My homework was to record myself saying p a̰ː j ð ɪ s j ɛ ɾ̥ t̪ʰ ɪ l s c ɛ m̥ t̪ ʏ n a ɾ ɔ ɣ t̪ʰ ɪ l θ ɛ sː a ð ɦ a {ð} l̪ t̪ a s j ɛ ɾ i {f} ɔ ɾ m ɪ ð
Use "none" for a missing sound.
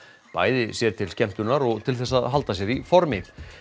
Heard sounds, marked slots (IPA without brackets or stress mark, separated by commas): none, f